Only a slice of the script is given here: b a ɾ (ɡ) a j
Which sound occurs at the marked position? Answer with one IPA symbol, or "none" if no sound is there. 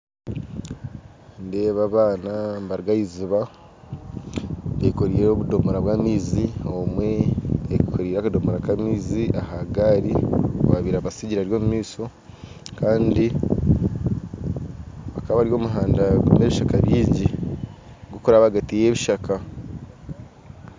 ɡ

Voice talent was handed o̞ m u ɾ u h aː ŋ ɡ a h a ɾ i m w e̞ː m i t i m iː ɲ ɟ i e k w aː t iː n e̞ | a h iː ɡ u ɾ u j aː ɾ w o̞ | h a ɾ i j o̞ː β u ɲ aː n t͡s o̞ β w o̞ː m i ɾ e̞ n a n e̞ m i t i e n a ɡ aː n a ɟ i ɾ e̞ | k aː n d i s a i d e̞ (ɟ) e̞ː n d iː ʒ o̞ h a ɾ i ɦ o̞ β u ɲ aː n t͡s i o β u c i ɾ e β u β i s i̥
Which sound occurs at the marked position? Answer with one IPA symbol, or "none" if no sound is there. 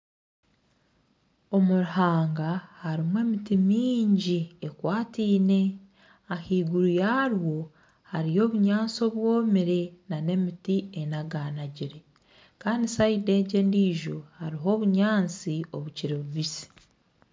ɟ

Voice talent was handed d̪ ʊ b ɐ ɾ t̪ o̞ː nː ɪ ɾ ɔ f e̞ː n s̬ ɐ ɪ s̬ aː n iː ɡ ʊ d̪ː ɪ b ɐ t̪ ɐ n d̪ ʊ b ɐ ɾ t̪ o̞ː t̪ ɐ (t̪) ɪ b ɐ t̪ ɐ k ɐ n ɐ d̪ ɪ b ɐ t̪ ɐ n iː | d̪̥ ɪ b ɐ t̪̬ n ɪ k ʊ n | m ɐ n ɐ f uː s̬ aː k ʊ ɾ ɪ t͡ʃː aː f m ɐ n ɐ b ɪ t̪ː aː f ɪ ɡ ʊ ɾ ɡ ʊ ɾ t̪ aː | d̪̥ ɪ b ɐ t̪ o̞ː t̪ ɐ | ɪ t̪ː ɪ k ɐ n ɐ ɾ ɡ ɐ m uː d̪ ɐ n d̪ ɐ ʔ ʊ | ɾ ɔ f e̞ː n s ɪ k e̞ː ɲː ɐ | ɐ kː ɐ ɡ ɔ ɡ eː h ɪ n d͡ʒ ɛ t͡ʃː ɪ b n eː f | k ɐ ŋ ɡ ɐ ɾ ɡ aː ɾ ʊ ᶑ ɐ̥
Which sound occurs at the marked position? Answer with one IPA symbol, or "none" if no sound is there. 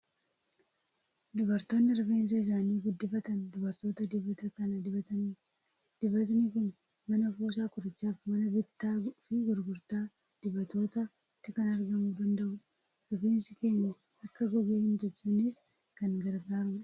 d̪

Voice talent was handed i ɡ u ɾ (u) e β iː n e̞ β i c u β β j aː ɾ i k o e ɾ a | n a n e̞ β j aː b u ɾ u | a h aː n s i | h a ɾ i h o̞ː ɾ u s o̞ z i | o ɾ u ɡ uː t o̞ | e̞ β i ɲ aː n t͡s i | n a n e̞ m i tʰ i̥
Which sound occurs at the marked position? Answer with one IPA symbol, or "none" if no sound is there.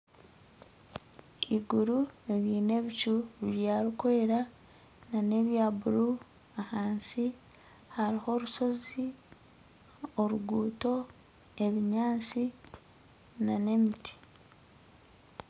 u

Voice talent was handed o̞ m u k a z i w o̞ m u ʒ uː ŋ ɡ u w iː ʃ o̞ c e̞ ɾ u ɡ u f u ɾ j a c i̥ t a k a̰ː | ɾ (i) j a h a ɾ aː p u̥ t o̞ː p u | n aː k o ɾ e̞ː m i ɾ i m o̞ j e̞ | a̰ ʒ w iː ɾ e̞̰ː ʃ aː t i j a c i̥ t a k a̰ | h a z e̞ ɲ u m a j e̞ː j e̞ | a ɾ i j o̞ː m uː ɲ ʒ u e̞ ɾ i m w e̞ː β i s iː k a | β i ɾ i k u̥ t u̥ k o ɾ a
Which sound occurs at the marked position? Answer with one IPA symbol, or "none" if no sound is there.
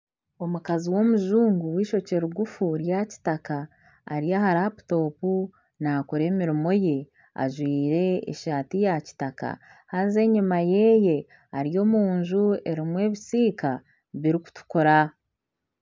i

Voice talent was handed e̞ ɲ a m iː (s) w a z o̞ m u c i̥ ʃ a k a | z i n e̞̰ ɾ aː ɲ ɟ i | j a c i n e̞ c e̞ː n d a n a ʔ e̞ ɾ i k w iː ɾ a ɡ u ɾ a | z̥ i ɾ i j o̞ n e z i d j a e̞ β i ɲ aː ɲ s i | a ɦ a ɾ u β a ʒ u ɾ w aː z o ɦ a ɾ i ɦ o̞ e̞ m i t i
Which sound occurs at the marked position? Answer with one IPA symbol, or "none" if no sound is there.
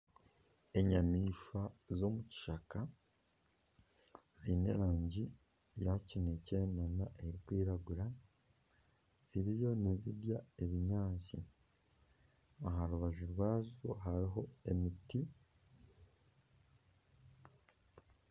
ʃ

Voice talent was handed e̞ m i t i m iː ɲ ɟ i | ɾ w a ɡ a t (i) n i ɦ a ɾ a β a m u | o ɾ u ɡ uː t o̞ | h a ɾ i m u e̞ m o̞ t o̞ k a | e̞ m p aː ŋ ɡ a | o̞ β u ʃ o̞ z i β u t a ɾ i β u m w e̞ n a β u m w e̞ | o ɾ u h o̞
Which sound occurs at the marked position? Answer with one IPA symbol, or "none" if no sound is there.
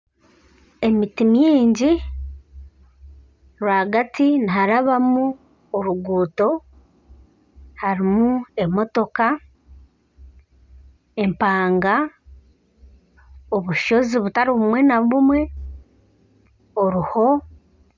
i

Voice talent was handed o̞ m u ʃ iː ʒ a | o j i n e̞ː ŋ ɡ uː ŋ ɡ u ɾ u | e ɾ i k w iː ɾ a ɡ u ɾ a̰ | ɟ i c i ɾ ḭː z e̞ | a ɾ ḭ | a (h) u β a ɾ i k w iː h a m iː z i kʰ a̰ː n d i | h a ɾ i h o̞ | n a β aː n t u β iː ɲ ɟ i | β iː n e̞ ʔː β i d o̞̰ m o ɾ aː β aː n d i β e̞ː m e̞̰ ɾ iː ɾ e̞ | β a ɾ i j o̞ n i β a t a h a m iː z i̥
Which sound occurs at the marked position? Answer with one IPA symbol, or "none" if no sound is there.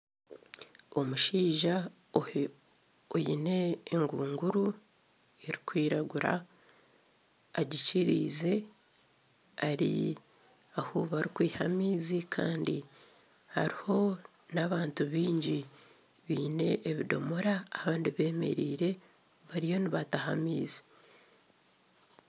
h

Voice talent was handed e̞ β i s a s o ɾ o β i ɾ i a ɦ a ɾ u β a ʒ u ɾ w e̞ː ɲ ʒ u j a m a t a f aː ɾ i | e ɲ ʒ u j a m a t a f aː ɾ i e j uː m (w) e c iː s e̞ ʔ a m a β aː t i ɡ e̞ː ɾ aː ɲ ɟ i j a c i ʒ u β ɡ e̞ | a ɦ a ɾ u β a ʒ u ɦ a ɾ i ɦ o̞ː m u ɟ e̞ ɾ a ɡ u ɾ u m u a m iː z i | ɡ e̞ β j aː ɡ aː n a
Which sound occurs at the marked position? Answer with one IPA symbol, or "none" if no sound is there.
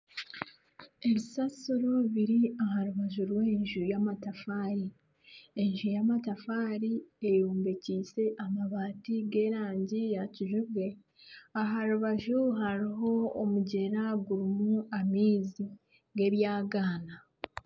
b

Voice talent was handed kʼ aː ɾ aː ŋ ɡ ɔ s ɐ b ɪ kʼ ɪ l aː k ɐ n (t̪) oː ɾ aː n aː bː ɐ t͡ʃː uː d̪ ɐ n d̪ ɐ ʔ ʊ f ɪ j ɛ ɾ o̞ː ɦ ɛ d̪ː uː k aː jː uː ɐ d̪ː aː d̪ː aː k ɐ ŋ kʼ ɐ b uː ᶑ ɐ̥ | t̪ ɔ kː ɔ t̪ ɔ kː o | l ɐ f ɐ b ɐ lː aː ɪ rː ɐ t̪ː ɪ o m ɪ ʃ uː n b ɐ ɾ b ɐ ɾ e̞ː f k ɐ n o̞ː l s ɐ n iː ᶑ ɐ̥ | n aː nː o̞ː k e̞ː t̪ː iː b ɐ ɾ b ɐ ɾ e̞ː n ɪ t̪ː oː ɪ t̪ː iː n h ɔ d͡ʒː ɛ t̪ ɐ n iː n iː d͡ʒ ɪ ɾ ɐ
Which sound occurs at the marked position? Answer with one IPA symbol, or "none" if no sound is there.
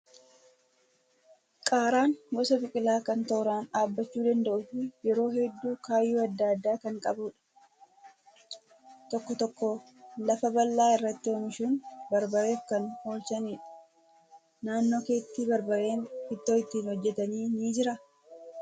t̪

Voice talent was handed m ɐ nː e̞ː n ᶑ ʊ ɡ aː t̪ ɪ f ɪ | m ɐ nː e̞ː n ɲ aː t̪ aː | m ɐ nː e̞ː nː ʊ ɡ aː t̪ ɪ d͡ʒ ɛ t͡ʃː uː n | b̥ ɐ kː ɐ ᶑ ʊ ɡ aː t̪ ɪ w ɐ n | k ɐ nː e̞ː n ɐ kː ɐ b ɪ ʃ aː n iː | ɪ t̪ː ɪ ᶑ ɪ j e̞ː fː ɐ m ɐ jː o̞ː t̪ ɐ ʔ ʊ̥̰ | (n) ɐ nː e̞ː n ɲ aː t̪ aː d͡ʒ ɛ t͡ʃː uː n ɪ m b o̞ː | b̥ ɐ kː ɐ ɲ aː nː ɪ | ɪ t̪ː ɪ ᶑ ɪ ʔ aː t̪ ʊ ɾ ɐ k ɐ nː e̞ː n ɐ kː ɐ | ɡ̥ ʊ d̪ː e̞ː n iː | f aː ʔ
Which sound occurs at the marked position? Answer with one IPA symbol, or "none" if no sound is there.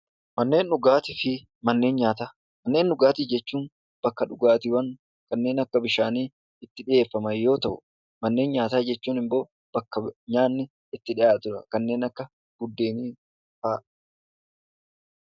m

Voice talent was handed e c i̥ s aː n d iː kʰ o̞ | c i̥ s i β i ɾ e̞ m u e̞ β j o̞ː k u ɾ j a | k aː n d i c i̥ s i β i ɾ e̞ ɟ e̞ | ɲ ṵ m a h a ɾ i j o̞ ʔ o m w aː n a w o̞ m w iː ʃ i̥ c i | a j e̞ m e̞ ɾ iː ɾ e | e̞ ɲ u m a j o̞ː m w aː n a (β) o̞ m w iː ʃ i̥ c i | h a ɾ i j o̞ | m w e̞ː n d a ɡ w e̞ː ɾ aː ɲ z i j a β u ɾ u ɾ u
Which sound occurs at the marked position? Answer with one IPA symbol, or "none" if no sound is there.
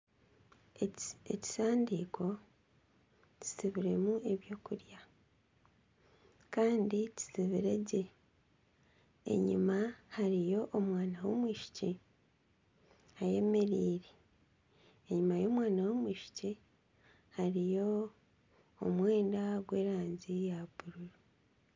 w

